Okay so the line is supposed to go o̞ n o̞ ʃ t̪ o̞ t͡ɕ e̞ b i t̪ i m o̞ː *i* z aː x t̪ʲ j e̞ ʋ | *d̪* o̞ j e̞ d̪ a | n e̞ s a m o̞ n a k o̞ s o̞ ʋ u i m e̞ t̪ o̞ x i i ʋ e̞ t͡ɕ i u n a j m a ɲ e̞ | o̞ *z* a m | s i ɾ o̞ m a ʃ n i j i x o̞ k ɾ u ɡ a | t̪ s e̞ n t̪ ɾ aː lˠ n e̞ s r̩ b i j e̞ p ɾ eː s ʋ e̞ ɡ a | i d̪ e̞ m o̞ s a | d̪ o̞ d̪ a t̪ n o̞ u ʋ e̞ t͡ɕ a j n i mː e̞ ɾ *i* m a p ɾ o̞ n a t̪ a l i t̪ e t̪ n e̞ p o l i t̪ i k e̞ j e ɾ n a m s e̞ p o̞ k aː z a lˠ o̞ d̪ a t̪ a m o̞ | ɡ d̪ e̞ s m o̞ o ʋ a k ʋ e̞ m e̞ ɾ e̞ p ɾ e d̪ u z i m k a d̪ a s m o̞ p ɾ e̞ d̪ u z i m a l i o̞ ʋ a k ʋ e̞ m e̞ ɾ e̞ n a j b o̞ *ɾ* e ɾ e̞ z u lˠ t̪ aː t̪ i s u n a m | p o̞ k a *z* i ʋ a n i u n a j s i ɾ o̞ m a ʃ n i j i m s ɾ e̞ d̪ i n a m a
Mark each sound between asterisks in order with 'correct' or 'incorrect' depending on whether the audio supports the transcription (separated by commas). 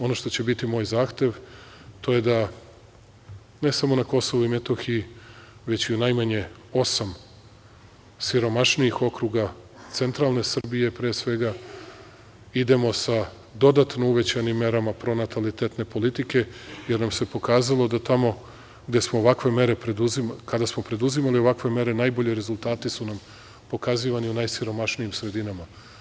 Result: incorrect, incorrect, incorrect, incorrect, incorrect, correct